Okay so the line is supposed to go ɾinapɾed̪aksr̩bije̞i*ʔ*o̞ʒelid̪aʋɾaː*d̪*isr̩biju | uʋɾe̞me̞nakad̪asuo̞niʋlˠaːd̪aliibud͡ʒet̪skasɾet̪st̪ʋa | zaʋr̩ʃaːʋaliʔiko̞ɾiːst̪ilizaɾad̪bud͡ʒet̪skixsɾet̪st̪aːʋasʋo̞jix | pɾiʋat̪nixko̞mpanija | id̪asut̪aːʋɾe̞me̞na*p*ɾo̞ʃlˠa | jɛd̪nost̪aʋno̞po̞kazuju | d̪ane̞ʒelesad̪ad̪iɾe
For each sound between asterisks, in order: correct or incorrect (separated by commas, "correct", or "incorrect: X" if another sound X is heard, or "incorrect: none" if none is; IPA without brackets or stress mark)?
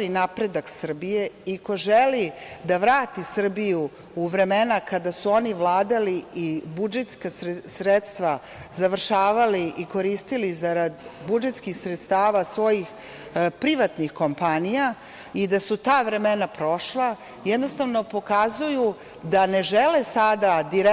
incorrect: k, incorrect: t̪, correct